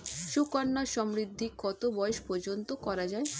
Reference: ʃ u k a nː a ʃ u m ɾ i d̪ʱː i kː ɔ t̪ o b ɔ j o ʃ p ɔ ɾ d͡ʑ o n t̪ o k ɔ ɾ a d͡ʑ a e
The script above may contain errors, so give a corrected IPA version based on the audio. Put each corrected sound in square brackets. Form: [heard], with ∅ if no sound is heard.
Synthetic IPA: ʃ u k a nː a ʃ [ɔ] m ɾ i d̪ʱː i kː ɔ t̪ o b ɔ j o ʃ p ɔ ɾ d͡ʑ o n t̪ o k ɔ ɾ a d͡ʑ a e